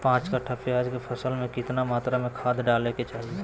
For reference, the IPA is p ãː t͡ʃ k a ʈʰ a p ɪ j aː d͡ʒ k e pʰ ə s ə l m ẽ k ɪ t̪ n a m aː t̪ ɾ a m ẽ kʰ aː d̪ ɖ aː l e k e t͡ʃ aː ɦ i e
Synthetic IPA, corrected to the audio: p ãː t͡ʃ k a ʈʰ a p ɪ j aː d͡ʒ k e pʰ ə s ə l m ẽ k ɪ t̪ n a m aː t̪ ɾ a m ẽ kʰ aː d̪ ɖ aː l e k e t͡ʃ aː ɦ i e